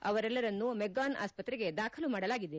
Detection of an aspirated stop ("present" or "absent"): present